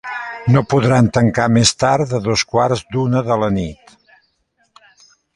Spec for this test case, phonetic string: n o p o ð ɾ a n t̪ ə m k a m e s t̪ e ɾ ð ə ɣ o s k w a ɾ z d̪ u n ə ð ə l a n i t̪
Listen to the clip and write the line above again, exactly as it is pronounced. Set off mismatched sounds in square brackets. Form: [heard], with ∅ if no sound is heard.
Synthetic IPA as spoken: n o p [u] ð ɾ a n t̪ ə [ŋ] k a m e s t̪ [a] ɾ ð ə [ð] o s k w a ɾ z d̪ u n ə ð ə l [ə] n i t̪